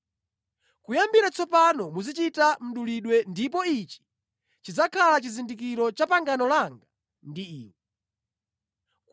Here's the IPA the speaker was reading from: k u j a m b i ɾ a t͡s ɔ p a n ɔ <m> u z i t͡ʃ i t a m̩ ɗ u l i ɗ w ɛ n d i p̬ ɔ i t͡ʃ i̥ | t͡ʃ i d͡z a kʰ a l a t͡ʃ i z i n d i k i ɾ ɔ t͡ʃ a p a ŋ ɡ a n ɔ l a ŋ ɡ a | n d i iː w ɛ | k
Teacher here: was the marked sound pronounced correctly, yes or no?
yes